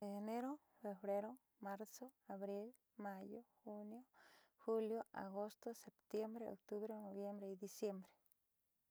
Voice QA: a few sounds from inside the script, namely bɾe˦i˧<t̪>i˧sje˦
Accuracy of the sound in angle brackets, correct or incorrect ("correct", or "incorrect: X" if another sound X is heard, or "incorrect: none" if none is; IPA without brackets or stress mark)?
incorrect: d̪